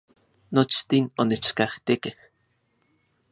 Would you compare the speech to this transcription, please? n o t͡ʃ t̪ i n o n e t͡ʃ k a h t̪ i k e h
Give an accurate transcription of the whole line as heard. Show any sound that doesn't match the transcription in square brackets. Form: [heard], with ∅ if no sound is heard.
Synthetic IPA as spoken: n o t͡ʃ t̪ i n o n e t͡ʃ k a h t̪ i k e h